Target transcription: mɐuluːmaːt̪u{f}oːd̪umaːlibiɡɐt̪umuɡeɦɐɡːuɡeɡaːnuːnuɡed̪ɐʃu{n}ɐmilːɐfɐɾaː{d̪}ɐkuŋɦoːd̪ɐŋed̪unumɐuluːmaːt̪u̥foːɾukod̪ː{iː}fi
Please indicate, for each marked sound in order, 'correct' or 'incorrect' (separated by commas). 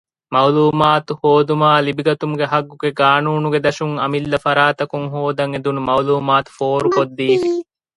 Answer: incorrect, incorrect, incorrect, correct